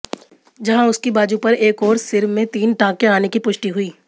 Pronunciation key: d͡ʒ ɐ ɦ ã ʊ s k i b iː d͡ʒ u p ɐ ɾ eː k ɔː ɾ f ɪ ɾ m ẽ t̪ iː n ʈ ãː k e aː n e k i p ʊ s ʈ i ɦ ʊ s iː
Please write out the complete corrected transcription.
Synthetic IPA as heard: d͡ʒ ɐ ɦ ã ʊ s k i b aː d͡ʒ u p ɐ ɾ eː k ɔː ɾ s ɪ ɾ m ẽ t̪ iː n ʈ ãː k e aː n e k i p ʊ ʃ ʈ i ɦ ʊ iː